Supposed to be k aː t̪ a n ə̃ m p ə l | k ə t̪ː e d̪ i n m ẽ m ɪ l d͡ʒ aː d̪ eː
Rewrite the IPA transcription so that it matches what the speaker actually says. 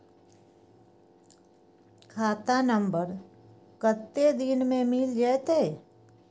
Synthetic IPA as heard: kʰ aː t̪ a n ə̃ m b ə ɾ | k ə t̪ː e d̪ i n m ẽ m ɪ l d͡ʒ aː t̪ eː